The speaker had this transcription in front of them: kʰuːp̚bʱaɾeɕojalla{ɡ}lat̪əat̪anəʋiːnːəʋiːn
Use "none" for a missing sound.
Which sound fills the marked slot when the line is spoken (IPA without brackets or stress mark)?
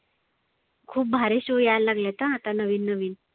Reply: ɡ